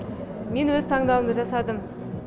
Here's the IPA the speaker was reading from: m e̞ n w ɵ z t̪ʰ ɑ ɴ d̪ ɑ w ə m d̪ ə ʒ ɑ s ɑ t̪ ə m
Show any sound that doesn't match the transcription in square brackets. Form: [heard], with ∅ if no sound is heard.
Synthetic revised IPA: m e̞ n w ɵ z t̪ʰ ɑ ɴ d̪ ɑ w ə m d̪ ə ʒ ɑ s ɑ [d̪] ə m